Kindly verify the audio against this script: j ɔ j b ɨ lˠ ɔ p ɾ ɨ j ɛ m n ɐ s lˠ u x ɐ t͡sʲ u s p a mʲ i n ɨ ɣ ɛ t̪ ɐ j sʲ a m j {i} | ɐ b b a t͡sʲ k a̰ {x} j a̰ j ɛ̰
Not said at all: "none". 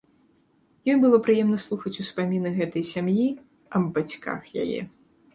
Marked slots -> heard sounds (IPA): i, x

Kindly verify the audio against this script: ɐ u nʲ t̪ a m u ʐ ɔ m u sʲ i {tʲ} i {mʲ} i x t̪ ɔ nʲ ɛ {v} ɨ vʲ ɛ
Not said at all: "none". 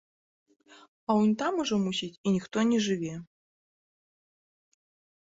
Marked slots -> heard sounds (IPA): tʲ, nʲ, ʐ

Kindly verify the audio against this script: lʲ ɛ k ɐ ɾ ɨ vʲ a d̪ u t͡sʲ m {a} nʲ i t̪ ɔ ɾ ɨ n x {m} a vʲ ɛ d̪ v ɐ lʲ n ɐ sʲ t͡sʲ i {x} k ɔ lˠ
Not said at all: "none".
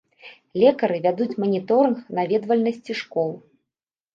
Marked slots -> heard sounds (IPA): ɐ, n, ʂ

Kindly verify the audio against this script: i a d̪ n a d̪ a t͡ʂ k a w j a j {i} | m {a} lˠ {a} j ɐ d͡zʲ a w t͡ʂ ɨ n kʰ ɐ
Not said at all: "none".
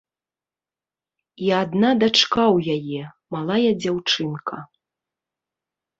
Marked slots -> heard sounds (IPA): ɛ, a, a

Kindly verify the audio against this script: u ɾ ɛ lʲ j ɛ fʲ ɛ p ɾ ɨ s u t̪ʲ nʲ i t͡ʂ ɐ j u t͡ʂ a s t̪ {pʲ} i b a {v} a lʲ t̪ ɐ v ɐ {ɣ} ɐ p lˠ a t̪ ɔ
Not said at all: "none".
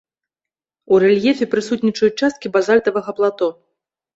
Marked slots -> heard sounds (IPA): kʲ, z, ɣ

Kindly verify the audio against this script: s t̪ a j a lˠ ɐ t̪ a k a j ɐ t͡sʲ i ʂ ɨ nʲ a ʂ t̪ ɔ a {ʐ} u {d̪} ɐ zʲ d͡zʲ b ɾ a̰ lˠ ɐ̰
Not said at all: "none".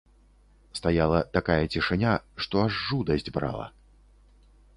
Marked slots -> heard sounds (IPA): ʐː, d̪

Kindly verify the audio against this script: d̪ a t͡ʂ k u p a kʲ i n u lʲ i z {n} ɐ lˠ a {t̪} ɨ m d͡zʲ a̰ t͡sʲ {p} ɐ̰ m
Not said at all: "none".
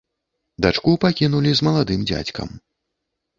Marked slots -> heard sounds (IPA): m, d̪, k

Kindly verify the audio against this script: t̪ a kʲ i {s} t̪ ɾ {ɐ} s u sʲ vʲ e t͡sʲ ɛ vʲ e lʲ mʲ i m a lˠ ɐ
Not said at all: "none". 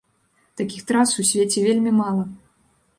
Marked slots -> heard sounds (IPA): x, a

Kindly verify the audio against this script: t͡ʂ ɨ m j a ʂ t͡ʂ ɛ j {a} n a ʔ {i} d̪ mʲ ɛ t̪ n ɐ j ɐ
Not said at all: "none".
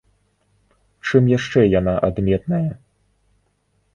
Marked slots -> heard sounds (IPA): a, a

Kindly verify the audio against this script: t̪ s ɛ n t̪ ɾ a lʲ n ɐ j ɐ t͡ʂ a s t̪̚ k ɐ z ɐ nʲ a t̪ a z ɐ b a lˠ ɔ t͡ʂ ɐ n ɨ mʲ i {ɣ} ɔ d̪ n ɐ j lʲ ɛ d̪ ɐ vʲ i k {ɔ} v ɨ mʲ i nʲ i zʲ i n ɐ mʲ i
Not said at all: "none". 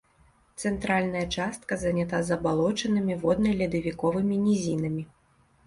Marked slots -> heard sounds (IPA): v, ɔ

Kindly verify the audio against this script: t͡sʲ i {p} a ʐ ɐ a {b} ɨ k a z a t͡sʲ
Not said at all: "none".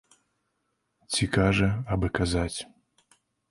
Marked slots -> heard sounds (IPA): k, b

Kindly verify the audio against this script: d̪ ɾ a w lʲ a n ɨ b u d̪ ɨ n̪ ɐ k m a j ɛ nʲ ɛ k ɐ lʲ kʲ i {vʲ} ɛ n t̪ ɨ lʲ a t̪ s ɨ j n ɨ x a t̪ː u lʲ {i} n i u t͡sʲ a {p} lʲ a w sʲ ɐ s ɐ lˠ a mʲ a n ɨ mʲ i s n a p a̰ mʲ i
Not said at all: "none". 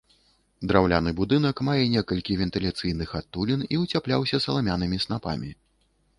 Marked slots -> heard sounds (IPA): vʲ, i, p

